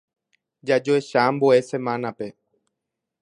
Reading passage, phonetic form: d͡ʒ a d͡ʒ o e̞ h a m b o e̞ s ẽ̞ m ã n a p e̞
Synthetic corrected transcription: d͡ʒ a d͡ʒ o e̞ ʃ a m b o e̞ s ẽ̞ m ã n a p e̞